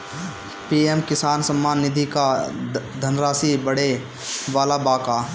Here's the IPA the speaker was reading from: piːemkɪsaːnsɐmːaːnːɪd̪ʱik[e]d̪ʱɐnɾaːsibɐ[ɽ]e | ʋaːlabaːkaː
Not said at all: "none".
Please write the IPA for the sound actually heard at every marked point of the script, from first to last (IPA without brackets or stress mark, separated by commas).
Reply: a, ɽ